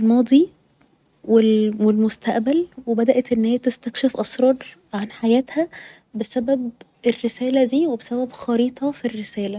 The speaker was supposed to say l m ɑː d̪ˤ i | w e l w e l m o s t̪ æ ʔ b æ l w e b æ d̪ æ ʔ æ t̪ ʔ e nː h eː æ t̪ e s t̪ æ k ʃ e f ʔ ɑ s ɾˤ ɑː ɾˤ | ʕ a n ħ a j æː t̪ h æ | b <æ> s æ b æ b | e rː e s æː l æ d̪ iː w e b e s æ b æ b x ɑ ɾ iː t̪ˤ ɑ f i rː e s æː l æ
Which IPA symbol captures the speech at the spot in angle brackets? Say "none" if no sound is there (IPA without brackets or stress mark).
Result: e